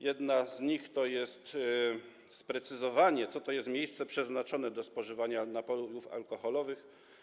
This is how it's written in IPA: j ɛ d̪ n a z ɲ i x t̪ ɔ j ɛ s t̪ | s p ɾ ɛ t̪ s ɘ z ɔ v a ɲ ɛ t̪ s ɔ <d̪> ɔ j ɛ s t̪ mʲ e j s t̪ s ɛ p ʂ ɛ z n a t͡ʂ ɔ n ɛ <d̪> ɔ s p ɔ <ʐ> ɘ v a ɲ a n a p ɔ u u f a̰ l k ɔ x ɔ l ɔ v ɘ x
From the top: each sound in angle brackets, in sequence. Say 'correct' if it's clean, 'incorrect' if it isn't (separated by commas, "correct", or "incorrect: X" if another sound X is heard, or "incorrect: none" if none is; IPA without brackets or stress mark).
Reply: incorrect: t̪, correct, correct